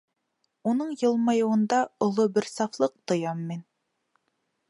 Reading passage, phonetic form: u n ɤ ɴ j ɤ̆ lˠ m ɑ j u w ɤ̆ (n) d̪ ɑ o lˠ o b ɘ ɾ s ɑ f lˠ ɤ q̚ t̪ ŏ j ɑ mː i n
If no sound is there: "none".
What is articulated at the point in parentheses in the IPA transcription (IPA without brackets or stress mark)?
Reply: n